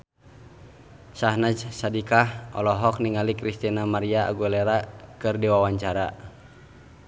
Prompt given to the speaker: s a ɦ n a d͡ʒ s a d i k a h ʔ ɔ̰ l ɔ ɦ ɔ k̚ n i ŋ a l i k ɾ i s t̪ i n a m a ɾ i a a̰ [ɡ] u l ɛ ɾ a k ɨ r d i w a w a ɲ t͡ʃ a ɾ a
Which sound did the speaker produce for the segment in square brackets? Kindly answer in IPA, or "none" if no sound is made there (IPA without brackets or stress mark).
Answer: ɡ